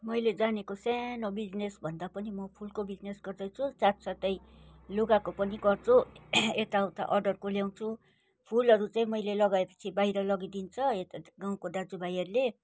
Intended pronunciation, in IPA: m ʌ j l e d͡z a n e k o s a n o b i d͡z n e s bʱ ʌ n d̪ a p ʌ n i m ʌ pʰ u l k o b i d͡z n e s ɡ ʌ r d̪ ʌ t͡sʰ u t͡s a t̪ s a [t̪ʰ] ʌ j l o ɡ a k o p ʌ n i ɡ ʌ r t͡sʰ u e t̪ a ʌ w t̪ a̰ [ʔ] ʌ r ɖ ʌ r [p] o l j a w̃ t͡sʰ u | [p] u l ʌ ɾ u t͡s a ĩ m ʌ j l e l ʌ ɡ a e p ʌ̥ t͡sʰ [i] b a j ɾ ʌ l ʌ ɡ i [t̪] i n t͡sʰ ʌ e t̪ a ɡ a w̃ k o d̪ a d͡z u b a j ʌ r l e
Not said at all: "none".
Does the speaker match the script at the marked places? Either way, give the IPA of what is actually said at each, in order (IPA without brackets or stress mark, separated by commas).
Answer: t̪, ʔ, k, pʰ, i, d̪